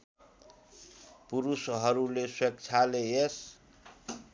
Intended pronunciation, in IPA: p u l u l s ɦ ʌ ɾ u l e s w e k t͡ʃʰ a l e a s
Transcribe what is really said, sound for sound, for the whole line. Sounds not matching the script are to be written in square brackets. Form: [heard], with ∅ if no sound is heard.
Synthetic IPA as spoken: p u [ɾ] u [∅] s ɦ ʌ ɾ u l e s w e k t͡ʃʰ a l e [e] s